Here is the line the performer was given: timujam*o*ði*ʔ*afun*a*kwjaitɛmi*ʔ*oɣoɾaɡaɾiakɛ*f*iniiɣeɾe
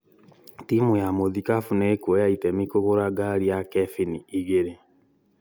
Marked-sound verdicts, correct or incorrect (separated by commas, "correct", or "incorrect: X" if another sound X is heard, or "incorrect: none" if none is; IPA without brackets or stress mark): correct, incorrect: k, incorrect: e, incorrect: k, correct